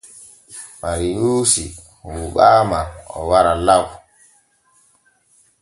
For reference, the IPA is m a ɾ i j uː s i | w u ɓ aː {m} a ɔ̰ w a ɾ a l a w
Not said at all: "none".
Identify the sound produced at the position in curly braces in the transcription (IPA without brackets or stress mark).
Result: m